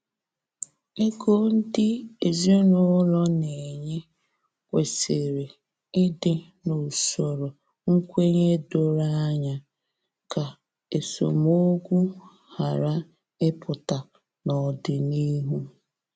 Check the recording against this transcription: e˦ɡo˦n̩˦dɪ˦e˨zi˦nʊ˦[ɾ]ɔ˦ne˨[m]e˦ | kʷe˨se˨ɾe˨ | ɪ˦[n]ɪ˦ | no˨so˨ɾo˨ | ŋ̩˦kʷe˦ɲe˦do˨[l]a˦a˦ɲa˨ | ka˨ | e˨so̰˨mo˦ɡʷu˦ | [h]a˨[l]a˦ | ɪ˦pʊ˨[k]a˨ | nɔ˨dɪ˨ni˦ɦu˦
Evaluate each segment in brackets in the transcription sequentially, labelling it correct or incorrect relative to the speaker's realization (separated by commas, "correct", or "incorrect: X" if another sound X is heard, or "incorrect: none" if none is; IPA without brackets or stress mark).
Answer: incorrect: l, incorrect: ɲ, incorrect: d, incorrect: ɾ, correct, incorrect: ɾ, incorrect: t